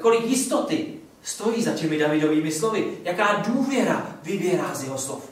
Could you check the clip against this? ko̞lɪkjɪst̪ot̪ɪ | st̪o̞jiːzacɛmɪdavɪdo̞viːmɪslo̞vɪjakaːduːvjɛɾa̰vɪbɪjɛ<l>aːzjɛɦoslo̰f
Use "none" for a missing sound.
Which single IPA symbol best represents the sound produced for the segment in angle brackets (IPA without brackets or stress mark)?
ɾ